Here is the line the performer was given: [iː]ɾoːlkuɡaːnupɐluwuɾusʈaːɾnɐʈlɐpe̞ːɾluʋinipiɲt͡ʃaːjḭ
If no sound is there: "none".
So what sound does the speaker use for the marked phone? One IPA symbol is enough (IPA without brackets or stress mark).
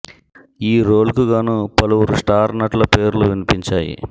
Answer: iː